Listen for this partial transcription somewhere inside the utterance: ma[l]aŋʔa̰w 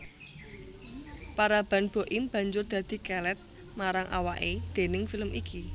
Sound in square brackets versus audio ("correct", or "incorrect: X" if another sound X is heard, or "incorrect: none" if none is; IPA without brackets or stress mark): incorrect: ɾ